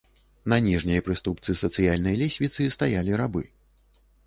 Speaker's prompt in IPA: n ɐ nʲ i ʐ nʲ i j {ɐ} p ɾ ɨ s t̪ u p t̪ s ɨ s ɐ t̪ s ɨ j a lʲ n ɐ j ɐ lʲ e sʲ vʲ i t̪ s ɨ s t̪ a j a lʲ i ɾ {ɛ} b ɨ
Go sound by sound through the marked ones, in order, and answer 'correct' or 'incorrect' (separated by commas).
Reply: correct, incorrect